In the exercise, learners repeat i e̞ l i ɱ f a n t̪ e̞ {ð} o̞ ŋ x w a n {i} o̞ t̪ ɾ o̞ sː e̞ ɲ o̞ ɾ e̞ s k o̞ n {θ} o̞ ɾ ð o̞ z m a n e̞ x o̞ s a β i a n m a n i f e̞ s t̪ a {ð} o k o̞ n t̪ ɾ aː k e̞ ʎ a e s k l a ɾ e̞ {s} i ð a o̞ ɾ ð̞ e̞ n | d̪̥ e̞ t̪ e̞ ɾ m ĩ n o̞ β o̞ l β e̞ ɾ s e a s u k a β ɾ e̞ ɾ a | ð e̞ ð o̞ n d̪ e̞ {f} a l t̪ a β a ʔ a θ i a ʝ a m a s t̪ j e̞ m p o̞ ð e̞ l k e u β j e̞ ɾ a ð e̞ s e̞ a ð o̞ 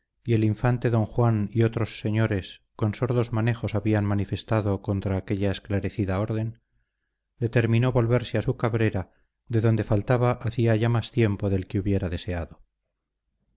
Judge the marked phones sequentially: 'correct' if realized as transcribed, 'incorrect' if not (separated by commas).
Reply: correct, correct, incorrect, correct, incorrect, correct